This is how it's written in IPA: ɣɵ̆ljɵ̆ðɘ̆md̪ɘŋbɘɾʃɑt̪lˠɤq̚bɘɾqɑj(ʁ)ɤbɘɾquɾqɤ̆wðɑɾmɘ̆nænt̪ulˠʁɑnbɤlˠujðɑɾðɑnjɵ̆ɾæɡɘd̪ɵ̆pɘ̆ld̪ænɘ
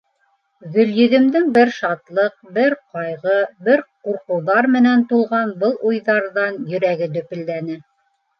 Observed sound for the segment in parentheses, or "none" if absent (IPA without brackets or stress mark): ʁ